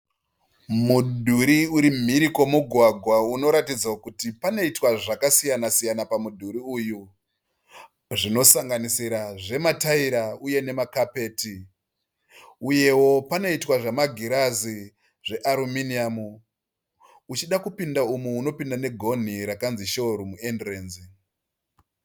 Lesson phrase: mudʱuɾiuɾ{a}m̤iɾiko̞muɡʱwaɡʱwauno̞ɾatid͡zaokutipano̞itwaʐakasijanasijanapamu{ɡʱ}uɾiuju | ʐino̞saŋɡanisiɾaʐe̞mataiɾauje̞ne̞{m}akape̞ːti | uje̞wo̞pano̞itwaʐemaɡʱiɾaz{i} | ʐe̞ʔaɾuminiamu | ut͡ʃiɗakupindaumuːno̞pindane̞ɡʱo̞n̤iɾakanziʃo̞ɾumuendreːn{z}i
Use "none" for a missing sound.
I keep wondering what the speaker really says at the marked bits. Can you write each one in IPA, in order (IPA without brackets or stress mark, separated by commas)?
i, dʱ, m, i, z